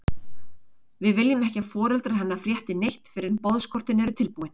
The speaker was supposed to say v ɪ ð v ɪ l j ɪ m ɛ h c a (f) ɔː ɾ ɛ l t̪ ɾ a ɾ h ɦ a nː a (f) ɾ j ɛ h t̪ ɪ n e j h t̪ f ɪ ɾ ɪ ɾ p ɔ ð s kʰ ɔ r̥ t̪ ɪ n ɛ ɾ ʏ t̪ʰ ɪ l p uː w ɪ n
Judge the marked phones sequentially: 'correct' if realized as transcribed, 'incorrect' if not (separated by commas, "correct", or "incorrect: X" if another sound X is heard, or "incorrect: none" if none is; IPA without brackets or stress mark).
correct, correct